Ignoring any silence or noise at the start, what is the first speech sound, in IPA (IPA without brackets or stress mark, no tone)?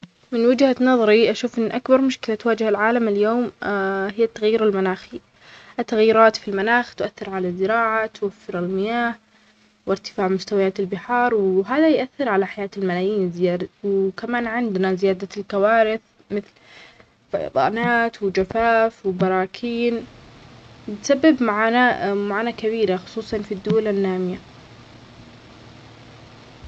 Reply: m